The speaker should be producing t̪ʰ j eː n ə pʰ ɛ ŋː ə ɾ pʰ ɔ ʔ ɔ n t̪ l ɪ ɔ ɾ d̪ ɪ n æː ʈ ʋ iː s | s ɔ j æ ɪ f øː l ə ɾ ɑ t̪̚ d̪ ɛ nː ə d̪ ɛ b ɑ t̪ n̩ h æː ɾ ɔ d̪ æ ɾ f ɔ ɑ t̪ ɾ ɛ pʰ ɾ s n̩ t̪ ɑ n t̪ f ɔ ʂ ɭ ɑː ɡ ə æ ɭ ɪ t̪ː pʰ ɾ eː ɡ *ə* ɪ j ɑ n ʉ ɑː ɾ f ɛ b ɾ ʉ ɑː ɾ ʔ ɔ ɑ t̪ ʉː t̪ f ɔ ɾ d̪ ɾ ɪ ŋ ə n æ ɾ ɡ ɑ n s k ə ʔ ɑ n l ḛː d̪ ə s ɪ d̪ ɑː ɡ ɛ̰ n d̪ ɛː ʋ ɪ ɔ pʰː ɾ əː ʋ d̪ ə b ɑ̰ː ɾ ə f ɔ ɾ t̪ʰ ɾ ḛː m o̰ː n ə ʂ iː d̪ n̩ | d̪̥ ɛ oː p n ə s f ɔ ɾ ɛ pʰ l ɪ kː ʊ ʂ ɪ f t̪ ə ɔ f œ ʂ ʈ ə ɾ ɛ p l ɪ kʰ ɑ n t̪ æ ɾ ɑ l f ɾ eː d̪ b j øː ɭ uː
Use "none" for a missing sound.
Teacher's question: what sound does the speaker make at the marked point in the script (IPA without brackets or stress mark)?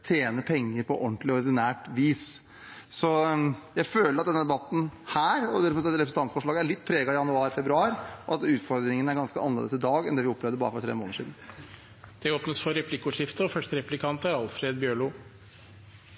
ɑ